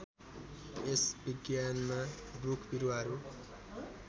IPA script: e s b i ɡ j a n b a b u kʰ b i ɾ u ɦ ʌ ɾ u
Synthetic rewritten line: e s b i ɡ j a n m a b u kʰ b i ɾ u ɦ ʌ ɾ u